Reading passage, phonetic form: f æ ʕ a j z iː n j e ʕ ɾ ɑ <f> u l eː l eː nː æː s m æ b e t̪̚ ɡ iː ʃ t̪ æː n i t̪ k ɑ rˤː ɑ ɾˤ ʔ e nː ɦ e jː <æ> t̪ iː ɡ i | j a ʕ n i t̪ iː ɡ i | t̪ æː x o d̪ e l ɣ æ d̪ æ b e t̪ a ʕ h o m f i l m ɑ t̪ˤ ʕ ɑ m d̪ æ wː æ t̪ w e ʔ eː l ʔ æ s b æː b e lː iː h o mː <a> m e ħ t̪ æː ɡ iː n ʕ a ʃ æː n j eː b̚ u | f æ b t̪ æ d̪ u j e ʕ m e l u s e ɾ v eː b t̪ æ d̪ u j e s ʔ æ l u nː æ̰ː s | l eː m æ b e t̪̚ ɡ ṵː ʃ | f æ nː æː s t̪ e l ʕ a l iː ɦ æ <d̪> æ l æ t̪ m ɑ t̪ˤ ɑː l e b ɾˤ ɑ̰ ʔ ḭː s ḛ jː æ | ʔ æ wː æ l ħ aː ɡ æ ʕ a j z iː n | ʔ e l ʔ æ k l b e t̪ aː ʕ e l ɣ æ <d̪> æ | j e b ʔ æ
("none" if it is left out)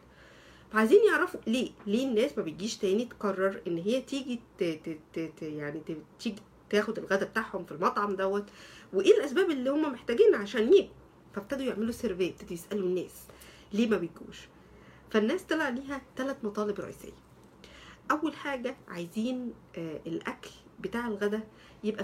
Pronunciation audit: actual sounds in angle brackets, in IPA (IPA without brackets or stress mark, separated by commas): f, æ, æ, t̪, d̪